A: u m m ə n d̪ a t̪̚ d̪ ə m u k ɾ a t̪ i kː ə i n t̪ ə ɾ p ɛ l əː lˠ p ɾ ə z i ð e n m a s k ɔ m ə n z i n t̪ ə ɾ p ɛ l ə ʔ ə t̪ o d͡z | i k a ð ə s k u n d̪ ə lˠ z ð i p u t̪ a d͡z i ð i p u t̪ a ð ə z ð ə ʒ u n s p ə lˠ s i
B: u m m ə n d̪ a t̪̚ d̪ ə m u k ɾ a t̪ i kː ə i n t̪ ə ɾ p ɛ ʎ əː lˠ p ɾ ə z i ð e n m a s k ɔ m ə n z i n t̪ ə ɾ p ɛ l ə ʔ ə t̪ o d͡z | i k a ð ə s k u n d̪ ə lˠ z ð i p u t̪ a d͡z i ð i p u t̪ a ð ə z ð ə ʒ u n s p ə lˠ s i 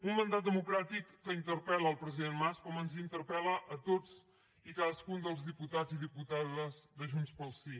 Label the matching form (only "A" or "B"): A